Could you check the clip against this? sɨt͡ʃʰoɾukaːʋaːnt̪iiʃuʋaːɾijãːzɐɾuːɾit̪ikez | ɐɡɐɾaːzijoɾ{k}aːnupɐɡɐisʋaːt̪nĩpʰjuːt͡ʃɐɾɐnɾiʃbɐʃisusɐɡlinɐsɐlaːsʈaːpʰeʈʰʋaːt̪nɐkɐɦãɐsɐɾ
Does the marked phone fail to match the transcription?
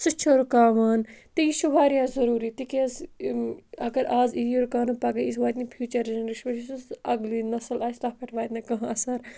no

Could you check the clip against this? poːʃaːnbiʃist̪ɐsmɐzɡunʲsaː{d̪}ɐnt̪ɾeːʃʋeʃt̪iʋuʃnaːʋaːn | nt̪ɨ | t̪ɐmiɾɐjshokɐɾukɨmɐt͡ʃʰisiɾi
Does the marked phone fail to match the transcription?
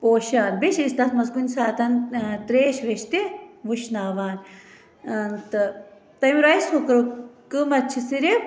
yes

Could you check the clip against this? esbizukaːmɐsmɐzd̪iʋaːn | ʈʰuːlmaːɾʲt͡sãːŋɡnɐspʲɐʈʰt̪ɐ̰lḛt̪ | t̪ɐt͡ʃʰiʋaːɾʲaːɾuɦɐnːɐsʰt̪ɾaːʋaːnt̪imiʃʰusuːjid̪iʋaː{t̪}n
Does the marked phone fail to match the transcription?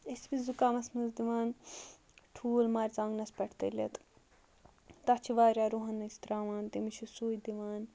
yes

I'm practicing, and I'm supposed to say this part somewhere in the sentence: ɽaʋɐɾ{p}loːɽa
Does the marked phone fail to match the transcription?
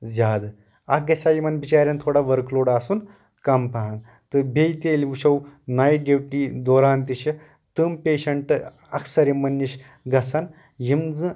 yes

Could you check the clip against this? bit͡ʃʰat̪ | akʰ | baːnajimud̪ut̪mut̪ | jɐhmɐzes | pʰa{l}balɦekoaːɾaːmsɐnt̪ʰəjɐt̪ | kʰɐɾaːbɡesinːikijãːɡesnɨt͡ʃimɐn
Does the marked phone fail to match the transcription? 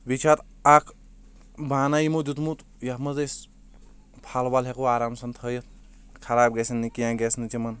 no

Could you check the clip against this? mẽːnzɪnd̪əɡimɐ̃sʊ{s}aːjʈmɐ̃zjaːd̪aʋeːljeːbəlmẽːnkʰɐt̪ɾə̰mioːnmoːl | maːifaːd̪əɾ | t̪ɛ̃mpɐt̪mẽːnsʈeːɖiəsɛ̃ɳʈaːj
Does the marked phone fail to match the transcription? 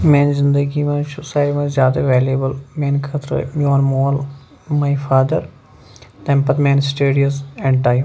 no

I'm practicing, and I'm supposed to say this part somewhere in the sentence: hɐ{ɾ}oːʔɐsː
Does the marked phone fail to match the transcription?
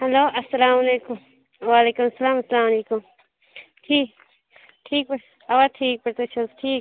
yes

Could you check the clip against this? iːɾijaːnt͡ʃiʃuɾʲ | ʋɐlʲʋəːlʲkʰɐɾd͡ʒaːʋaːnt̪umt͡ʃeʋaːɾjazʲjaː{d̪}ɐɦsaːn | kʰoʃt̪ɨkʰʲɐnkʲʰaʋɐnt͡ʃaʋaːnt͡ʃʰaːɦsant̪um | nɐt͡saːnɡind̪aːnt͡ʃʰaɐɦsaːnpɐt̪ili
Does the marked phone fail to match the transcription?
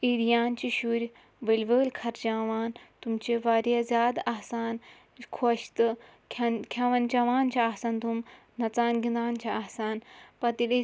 no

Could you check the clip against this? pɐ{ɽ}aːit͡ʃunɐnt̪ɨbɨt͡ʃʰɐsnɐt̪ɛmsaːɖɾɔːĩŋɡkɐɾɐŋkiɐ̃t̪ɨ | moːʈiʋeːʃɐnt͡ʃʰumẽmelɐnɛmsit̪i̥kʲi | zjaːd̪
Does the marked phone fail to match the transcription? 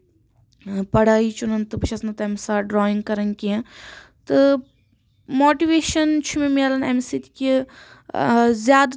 no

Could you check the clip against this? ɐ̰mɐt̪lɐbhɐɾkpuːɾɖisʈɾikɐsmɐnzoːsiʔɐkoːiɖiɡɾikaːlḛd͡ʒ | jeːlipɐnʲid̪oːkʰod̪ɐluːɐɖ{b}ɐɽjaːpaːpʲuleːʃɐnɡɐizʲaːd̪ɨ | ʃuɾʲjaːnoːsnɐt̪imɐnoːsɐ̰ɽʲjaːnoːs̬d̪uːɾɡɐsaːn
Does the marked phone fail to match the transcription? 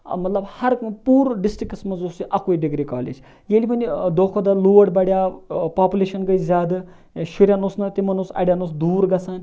no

